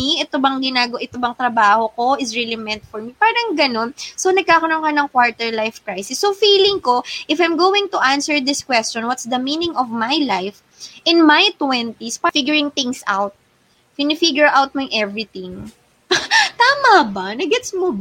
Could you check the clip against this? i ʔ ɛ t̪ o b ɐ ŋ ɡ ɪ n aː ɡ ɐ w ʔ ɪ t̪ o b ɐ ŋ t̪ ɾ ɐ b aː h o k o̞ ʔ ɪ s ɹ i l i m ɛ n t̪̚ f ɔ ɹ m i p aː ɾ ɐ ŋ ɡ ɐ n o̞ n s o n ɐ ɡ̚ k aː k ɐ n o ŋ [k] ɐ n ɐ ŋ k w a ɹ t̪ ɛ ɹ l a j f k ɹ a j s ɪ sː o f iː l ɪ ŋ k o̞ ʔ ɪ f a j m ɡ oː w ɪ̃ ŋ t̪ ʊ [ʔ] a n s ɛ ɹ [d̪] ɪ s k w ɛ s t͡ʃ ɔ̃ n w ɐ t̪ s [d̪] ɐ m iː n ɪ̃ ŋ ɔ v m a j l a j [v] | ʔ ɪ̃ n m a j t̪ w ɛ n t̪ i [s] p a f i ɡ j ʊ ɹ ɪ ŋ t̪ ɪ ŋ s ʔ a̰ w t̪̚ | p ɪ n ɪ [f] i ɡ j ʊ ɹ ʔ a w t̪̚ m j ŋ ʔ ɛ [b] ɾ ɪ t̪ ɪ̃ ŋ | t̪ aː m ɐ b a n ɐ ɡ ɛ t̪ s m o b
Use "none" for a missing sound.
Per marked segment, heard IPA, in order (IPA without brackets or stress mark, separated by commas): k, ʔ, d̪, d̪, f, s, f, v